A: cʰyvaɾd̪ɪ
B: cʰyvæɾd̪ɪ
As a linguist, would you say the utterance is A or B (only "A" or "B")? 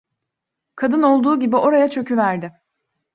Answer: B